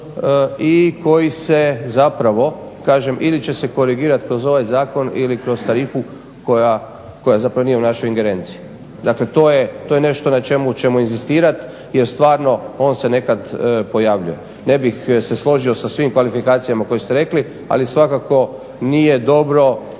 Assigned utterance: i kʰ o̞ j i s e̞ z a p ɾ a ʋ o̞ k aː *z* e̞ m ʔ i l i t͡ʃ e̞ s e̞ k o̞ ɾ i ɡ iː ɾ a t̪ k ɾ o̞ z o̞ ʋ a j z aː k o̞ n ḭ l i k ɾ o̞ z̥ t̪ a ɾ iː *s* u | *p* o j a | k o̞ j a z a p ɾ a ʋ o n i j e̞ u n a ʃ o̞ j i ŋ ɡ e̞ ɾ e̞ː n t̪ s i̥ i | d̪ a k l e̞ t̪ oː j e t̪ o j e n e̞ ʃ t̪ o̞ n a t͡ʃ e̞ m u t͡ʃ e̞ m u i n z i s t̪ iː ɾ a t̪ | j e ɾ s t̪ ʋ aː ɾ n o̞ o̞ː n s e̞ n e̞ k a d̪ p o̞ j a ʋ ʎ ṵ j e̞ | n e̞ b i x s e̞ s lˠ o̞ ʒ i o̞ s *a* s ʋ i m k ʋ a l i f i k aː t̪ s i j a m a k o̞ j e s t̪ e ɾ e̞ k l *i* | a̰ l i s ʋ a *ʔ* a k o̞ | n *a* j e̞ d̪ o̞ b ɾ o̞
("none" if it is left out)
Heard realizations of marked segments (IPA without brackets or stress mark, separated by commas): ʒ, f, k, a, i, k, i